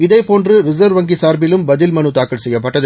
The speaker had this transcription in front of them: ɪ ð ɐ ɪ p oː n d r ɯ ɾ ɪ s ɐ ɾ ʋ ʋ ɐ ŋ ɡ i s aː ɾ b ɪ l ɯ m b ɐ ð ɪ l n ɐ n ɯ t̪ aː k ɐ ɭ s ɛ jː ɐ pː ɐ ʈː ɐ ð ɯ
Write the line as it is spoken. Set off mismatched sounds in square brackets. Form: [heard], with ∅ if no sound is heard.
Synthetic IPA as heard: ɪ ð ɐ ɪ p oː n d r ɯ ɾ ɪ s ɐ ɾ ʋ ʋ ɐ ŋ ɡ i s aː ɾ b ɪ l ɯ m b ɐ ð ɪ l [m] ɐ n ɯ t̪ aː k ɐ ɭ s ɛ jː ɐ pː ɐ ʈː ɐ ð ɯ

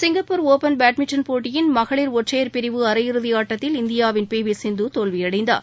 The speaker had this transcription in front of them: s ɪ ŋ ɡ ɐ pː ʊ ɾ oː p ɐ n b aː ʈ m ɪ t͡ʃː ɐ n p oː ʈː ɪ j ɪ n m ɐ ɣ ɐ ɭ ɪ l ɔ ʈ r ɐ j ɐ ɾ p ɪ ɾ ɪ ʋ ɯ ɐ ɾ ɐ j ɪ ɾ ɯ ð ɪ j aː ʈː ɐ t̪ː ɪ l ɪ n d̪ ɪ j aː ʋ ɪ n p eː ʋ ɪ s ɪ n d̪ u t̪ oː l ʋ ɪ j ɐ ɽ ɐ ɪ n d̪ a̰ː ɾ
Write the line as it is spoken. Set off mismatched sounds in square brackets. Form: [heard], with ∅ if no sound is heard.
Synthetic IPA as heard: s ɪ ŋ ɡ ɐ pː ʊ ɾ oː p ɐ n b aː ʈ m ɪ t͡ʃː ɐ n p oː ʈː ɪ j ɪ n m ɐ ɣ ɐ ɭ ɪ [ɾ] ɔ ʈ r ɐ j ɐ ɾ p ɪ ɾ ɪ ʋ ɯ ɐ ɾ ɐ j ɪ ɾ ɯ ð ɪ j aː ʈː ɐ t̪ː ɪ l ɪ n d̪ ɪ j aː ʋ ɪ n p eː ʋ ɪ s ɪ n d̪ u t̪ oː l ʋ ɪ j ɐ ɽ ɐ ɪ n d̪ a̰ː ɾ

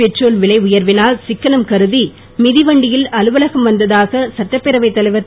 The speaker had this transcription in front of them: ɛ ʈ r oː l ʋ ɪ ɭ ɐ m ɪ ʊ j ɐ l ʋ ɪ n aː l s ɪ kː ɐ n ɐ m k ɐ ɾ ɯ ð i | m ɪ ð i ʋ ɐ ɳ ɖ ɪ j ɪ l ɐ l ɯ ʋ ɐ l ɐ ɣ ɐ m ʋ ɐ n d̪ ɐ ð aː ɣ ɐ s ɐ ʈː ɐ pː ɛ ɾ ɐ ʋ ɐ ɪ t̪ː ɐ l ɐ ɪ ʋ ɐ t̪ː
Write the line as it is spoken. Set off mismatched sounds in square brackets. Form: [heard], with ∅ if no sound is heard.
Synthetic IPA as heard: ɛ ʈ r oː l ʋ ɪ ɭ ɐ [∅] ɪ ʊ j ɐ [ɾ] ʋ ɪ n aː l s ɪ kː ɐ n ɐ m k ɐ ɾ ɯ ð i | m ɪ ð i ʋ ɐ ɳ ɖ ɪ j ɪ l ɐ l ɯ ʋ ɐ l ɐ ɣ ɐ m ʋ ɐ n d̪ ɐ ð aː ɣ ɐ s ɐ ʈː ɐ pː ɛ ɾ ɐ ʋ ɐ ɪ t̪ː ɐ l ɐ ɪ ʋ ɐ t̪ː

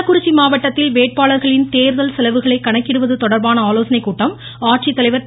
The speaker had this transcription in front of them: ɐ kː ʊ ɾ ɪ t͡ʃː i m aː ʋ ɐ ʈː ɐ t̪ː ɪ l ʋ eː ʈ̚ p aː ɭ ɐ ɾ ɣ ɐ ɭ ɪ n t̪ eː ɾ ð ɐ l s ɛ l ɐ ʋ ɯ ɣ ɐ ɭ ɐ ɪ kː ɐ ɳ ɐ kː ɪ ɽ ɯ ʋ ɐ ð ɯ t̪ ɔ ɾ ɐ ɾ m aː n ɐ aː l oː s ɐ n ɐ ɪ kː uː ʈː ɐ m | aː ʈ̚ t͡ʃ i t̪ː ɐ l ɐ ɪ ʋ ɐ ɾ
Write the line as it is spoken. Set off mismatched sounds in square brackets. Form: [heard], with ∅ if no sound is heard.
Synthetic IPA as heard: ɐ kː ʊ ɾ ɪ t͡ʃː i m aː ʋ ɐ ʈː ɐ t̪ː ɪ l ʋ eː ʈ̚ p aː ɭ ɐ ɾ ɣ ɐ ɭ ɪ n t̪ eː ɾ ð ɐ l s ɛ l ɐ ʋ ɯ ɣ ɐ ɭ ɐ ɪ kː ɐ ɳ ɐ kː ɪ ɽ ɯ ʋ ɐ ð ɯ t̪ ɔ [ɽ] ɐ ɾ [b] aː n ɐ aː l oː s ɐ n ɐ ɪ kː uː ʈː ɐ m | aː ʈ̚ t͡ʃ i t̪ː ɐ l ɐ ɪ ʋ ɐ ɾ

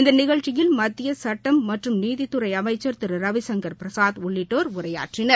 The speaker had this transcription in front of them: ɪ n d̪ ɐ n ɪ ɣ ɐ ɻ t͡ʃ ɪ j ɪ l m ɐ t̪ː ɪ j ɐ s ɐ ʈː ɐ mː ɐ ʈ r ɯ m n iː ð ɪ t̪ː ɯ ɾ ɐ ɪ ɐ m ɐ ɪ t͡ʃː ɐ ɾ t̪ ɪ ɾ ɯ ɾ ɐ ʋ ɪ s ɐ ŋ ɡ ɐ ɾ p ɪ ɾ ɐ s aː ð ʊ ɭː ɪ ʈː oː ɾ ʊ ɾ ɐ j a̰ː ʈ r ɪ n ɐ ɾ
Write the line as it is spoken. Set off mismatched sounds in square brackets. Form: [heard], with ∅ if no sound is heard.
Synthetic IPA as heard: ɪ n d̪ ɐ n ɪ ɣ ɐ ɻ t͡ʃ ɪ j ɪ l m ɐ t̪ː ɪ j ɐ s ɐ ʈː ɐ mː ɐ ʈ r ɯ m n iː ð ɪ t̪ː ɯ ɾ ɐ ɪ ɐ m ɐ ɪ t͡ʃː ɐ ɾ t̪ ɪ ɾ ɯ ɾ ɐ ʋ ɪ s ɐ ŋ ɡ ɐ ɾ p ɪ ɾ ɐ s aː ð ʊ ɭː ɪ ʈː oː ɾ ʊ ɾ ɐ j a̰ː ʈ r ɪ n ɐ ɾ

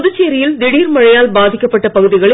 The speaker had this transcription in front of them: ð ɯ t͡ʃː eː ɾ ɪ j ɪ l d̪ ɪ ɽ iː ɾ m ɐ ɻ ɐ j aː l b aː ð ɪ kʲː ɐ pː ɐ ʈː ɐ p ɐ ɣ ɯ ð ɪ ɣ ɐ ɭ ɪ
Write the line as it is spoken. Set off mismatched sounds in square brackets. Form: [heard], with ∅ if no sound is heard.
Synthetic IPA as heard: ð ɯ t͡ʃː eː ɾ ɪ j ɪ l d̪ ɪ ɽ iː ɾ m ɐ ɻ ɐ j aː l b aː ð ɪ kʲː ɐ pː ɐ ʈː ɐ p ɐ ɣ ɯ ð ɪ ɣ ɐ ɭ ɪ

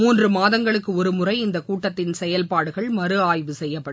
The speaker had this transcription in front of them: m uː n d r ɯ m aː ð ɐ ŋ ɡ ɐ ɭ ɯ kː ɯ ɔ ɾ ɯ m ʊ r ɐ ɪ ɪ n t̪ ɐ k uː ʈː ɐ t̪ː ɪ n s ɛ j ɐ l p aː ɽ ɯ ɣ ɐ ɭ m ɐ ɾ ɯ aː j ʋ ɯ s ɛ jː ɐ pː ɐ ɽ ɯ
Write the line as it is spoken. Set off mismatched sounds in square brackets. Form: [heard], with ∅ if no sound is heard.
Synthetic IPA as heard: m uː n d r ɯ m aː ð ɐ ŋ ɡ ɐ ɭ ɯ kː ɯ ɔ ɾ ɯ m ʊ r ɐ ɪ ɪ n [d̪] ɐ k uː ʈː ɐ t̪ː ɪ n s ɛ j ɐ l p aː ɽ ɯ ɣ ɐ ɭ m ɐ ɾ ɯ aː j ʋ ɯ s ɛ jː ɐ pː ɐ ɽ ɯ

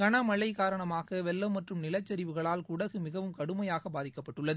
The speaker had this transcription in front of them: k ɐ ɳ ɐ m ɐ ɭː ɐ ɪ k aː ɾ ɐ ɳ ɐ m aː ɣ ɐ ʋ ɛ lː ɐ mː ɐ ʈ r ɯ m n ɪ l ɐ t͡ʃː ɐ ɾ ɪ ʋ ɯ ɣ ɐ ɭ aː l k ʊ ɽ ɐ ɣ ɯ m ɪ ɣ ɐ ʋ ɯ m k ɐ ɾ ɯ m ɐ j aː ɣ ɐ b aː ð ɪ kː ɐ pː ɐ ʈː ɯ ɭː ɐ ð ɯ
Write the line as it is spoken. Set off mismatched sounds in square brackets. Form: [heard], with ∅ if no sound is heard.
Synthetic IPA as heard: k ɐ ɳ ɐ m ɐ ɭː ɐ ɪ k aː ɾ ɐ ɳ ɐ m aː ɣ ɐ ʋ ɛ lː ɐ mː ɐ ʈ r ɯ m n ɪ l ɐ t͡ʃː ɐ ɾ ɪ ʋ ɯ ɣ ɐ ɭ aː l k ʊ ɽ ɐ ɣ ɯ m ɪ ɣ ɐ ʋ ɯ m k ɐ [ɽ] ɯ m ɐ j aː ɣ ɐ b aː ð ɪ kː ɐ pː ɐ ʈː ɯ ɭː ɐ ð ɯ

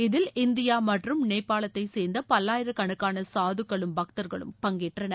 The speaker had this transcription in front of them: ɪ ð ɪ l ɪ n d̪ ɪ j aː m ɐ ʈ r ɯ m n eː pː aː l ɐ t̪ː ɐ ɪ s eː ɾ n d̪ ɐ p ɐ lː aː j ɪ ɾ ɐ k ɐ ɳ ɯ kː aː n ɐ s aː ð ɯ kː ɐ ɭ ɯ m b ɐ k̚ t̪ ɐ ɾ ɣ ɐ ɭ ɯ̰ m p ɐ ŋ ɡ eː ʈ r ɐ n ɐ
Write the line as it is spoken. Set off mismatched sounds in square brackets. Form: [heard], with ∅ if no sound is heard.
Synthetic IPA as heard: ɪ ð ɪ l ɪ n d̪ ɪ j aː m ɐ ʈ r ɯ m n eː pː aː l ɐ t̪ː ɐ ɪ s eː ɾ n d̪ ɐ p ɐ lː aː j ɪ ɾ ɐ k ɐ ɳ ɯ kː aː n ɐ s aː ð ɯ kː ɐ ɭ ɯ m b ɐ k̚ t̪ ɐ ɾ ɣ ɐ ɭ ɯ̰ m p ɐ ŋ ɡ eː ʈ r ɐ n ɐ

